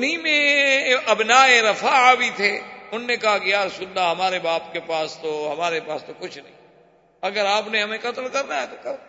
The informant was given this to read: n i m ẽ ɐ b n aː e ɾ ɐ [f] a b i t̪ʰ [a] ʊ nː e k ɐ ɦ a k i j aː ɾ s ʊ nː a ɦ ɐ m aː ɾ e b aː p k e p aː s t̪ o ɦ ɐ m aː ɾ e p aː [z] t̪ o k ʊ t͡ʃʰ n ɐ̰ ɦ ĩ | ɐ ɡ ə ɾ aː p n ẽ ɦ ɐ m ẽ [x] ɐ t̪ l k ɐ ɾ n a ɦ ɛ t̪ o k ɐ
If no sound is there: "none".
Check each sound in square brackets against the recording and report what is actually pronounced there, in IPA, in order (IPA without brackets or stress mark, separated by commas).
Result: f, e, s, k